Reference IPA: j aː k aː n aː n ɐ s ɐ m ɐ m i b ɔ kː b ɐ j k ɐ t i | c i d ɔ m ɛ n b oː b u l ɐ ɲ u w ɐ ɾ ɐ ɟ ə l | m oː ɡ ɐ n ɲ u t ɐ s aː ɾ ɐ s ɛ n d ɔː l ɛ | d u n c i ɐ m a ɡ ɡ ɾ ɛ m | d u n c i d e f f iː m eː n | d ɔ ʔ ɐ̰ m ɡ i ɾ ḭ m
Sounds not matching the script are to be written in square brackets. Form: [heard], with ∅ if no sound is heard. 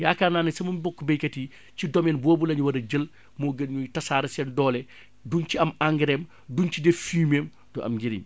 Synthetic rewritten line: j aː k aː n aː n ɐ s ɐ m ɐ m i b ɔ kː b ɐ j k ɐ t i | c i d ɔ m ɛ n b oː b u l ɐ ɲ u w ɐ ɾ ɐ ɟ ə l | m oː ɡ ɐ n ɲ u t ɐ s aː ɾ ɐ s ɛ n d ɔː l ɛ | d u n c i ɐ m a [ŋ] ɡ ɾ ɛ m | d u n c i d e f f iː m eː [m] | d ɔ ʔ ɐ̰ m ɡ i ɾ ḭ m